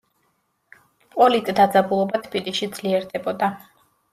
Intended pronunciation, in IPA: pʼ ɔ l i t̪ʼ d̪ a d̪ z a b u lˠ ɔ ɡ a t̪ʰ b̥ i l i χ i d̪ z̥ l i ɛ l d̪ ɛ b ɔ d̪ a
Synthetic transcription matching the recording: pʼ ɔ l i t̪ʼ d̪ a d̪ z a b u lˠ ɔ b a t̪ʰ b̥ i l i ʃ i d̪ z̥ l i ɛ ɾ d̪ ɛ b ɔ d̪ a